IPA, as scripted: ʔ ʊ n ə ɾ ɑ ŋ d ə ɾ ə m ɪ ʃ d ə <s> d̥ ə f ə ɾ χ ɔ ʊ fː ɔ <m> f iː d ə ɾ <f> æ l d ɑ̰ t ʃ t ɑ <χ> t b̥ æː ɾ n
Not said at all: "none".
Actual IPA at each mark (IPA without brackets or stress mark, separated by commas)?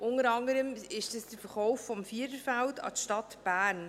s, m, f, none